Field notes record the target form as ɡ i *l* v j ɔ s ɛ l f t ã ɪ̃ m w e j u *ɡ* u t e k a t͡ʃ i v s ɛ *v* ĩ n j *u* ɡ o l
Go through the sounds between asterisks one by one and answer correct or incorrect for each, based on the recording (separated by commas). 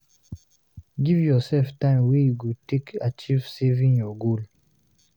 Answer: incorrect, correct, correct, incorrect